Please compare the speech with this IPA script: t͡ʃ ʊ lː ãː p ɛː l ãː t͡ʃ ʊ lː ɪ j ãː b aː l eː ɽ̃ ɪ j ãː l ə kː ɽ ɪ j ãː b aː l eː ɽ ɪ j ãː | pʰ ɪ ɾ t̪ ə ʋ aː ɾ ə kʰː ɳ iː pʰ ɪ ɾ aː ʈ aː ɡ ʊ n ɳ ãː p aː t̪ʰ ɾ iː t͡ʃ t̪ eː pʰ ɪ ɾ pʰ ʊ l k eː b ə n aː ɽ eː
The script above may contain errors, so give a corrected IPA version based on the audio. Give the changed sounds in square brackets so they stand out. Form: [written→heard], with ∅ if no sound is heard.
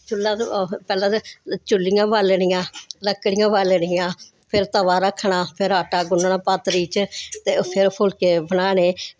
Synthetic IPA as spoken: t͡ʃ ʊ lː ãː p ɛː l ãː t͡ʃ ʊ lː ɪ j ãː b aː l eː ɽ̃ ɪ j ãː l ə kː ɽ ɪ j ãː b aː l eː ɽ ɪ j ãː | pʰ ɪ ɾ t̪ ə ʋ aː ɾ ə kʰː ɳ [iː→aː] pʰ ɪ ɾ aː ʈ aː ɡ ʊ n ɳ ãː p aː [t̪ʰ→t̪] ɾ iː t͡ʃ t̪ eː pʰ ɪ ɾ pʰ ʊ l k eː b ə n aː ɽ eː